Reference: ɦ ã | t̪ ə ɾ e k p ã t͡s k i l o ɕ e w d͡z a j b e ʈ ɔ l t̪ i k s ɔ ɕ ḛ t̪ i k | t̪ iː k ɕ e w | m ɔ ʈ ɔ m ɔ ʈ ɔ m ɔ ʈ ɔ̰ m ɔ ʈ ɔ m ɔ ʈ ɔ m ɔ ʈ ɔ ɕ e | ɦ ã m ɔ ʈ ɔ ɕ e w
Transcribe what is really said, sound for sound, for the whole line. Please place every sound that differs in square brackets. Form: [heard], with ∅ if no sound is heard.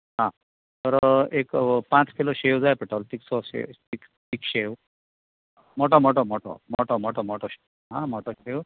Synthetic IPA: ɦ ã | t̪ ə ɾ e k p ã t͡s k i l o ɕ e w d͡z a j [p] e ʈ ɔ l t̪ i k s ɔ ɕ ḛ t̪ i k | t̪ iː k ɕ e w | m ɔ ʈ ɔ m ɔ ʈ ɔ m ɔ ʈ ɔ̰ m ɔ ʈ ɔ m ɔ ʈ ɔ m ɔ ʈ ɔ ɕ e | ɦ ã m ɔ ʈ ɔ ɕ e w